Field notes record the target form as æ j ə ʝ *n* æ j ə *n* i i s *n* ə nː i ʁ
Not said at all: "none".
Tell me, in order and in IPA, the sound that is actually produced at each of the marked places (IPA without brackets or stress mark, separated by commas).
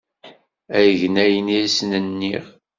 n, n, n